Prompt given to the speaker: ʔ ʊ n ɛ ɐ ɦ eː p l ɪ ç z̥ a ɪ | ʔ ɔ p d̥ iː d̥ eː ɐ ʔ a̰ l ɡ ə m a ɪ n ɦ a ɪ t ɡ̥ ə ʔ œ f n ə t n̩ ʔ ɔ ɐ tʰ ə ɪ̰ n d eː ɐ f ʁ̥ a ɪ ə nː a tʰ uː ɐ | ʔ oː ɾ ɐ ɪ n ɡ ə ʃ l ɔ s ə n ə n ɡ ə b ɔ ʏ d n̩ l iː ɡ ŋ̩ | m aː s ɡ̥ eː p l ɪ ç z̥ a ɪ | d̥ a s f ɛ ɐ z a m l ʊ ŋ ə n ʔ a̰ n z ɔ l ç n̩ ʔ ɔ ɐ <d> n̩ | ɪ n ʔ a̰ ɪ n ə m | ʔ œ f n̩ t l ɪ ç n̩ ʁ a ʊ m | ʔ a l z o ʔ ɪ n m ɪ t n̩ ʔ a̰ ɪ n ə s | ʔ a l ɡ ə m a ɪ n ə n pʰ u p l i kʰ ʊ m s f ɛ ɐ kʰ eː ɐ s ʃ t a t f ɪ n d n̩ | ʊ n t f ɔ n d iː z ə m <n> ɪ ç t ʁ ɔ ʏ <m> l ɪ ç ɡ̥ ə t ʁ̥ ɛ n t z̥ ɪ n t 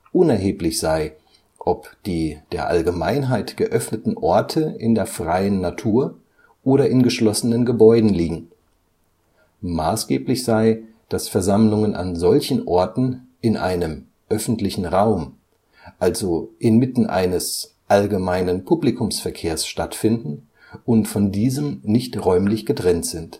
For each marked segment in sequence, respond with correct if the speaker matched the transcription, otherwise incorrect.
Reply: incorrect: t, correct, correct

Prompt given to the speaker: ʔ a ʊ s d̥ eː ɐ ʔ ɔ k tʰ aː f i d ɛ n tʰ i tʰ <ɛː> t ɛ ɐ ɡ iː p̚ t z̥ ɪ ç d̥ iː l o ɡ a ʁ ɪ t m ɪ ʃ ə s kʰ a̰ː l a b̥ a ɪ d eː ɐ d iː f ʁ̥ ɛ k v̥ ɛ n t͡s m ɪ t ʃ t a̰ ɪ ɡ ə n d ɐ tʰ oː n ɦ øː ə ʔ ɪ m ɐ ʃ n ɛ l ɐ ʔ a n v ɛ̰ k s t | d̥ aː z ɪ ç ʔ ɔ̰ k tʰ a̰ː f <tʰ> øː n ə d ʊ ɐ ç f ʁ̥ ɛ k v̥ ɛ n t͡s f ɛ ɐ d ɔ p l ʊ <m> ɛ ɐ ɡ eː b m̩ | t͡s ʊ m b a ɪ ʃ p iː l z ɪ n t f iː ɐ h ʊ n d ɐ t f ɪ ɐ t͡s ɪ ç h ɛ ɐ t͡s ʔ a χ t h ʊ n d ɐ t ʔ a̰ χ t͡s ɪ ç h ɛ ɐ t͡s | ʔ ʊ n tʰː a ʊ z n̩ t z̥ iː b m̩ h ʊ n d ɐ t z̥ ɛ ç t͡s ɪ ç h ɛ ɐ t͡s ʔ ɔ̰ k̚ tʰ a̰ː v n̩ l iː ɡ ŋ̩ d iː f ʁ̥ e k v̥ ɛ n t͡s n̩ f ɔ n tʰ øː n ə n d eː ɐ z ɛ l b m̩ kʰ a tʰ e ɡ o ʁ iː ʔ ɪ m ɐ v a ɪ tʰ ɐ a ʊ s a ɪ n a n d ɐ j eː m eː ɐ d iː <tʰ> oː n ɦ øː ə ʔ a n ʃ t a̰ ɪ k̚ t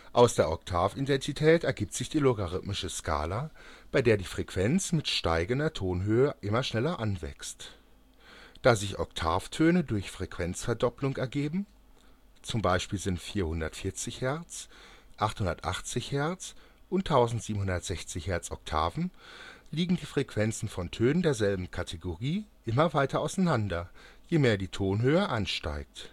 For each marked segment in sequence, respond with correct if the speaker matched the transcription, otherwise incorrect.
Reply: correct, correct, incorrect: ŋ, correct

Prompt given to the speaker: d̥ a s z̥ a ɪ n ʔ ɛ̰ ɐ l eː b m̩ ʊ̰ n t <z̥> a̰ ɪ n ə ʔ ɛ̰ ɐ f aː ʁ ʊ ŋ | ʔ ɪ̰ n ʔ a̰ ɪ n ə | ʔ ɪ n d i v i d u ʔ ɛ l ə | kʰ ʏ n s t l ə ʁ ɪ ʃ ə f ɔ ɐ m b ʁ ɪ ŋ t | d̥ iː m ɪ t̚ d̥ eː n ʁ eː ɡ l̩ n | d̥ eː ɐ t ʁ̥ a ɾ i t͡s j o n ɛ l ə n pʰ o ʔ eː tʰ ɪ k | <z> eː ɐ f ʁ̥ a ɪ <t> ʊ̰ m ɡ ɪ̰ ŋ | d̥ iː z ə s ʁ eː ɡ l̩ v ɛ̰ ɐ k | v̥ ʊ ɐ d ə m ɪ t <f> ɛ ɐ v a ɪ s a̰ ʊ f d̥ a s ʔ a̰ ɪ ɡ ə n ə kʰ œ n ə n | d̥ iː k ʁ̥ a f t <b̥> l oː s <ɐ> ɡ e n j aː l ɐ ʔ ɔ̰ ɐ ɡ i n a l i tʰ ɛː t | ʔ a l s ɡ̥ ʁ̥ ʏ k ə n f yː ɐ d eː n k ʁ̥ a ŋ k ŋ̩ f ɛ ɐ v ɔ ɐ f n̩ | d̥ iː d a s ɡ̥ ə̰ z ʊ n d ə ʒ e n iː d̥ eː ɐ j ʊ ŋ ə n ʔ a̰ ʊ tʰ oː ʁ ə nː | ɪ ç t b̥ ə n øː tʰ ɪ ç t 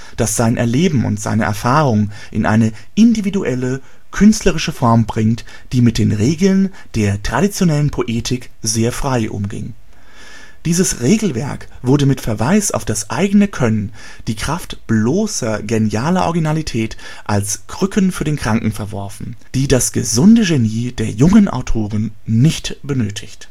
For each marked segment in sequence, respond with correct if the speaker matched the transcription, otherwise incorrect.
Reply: correct, correct, incorrect: ʔ, correct, correct, correct

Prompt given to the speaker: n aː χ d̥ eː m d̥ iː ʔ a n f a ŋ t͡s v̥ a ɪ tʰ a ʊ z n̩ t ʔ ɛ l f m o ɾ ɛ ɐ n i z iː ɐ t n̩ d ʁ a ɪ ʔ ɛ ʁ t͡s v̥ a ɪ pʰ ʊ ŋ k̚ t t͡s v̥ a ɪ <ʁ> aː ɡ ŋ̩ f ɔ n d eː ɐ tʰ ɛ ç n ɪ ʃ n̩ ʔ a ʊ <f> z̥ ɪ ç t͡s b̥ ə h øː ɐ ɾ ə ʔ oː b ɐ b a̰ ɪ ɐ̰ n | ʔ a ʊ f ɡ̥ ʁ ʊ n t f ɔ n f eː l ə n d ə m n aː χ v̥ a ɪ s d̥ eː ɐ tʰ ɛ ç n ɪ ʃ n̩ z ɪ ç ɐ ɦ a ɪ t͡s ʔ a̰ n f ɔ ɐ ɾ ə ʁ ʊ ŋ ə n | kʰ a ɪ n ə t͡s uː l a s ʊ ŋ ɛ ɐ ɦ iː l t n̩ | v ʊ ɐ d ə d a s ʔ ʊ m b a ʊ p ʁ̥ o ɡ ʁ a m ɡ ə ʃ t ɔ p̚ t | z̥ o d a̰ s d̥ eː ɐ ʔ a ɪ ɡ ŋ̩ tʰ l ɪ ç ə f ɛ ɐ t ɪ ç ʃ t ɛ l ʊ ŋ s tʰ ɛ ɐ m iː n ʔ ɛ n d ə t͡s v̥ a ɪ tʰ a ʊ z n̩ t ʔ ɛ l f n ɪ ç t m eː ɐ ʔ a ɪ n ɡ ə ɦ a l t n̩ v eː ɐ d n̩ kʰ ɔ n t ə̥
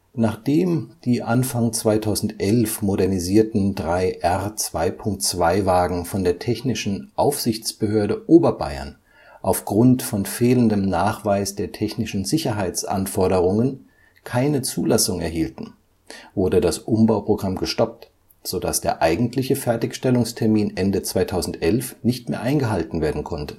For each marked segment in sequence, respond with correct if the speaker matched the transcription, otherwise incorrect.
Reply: incorrect: v, correct

